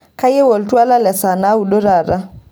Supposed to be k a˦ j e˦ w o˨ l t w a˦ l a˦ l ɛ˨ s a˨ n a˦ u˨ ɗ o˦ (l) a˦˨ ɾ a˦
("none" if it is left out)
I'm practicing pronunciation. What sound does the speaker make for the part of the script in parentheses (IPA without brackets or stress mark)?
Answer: ɾ